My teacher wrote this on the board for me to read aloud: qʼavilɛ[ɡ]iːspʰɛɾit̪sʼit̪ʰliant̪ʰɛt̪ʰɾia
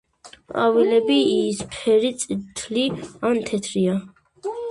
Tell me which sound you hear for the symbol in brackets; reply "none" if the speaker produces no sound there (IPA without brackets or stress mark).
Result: b